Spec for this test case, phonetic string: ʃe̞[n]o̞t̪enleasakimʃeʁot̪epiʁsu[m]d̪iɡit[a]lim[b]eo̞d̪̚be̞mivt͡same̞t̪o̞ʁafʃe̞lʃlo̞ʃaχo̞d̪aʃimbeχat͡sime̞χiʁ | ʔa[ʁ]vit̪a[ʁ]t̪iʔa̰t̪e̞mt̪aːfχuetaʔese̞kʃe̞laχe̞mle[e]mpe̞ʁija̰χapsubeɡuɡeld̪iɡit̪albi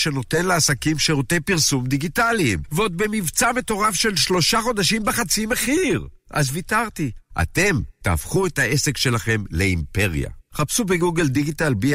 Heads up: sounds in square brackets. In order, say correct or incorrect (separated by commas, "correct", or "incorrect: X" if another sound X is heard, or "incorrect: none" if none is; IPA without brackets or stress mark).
correct, correct, correct, incorrect: v, incorrect: z, correct, incorrect: i